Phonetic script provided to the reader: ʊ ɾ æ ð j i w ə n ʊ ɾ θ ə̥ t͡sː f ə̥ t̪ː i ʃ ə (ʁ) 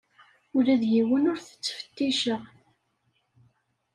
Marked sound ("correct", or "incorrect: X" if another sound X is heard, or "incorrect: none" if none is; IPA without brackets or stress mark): correct